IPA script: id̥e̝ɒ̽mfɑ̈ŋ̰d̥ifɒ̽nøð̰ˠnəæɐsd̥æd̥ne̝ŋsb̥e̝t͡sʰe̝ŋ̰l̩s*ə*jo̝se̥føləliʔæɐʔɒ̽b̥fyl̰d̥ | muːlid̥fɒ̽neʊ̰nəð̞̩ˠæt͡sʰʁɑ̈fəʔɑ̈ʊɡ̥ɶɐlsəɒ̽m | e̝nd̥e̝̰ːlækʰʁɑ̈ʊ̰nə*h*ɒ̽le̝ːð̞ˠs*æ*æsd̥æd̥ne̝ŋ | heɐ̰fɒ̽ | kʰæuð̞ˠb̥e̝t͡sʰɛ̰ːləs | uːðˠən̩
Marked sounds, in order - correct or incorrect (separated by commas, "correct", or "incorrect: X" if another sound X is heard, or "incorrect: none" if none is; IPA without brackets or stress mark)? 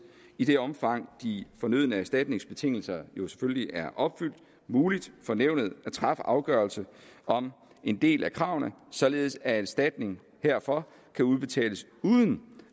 incorrect: ɐ, incorrect: s, correct